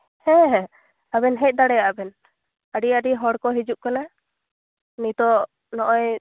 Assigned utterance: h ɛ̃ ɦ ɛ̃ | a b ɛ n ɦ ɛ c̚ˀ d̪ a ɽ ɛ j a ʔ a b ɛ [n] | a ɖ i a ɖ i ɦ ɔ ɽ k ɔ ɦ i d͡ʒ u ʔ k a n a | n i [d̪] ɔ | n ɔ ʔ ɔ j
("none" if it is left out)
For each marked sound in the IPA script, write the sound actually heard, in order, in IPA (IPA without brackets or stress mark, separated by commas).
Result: n, t̪